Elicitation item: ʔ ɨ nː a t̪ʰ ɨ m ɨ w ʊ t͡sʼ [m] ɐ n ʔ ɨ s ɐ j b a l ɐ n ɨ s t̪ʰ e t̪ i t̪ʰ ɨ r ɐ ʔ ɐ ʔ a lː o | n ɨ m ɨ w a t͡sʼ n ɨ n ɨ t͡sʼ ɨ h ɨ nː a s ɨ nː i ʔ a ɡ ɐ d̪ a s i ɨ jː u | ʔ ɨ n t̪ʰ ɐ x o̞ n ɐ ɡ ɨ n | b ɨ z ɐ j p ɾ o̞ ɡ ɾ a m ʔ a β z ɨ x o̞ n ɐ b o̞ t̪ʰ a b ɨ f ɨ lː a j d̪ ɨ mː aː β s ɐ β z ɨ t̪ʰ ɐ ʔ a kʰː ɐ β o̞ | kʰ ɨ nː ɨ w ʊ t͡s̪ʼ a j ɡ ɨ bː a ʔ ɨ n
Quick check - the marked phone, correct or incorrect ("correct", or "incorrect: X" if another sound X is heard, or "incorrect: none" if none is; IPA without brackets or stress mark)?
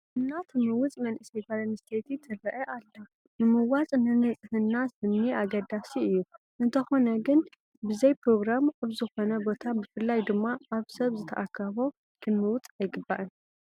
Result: correct